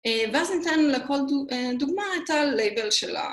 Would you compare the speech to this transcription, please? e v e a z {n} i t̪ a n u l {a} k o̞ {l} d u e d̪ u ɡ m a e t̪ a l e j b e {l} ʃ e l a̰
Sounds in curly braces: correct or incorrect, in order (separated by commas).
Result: correct, incorrect, correct, correct